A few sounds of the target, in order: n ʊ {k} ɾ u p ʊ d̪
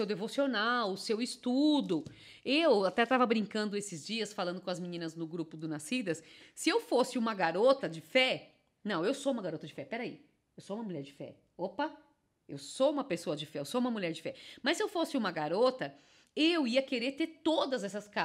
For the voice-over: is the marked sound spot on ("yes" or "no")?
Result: no